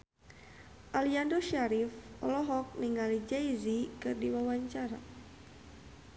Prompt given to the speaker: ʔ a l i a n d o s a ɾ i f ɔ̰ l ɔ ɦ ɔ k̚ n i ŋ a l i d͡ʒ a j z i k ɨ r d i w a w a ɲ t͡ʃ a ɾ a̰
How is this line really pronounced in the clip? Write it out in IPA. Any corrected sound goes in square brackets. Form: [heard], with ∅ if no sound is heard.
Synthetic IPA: ʔ a l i a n d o [ʃ] a ɾ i f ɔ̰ l ɔ ɦ ɔ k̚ n i ŋ a l i d͡ʒ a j z i k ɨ r d i w a w a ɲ t͡ʃ a ɾ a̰